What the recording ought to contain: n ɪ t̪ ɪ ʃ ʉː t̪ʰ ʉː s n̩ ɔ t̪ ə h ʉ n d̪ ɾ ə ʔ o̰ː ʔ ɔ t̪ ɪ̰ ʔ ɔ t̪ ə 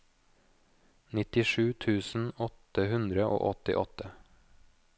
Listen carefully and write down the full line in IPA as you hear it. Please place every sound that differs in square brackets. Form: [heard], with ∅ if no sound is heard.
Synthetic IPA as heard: n ɪ t̪ ɪ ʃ ʉː t̪ʰ ʉː s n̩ ɔ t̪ ə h ʉ n d̪ ɾ ə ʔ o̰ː ʔ ɔ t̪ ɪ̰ ʔ ɔ t̪ ə